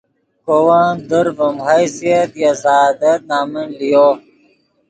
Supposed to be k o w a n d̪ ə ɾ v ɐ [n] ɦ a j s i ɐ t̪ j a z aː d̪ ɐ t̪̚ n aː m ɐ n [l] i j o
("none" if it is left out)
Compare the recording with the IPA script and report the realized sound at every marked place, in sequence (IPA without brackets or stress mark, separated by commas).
m, l